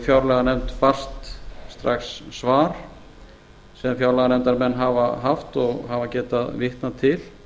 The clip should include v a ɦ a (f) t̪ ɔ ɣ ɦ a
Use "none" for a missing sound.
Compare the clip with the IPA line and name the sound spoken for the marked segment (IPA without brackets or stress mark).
f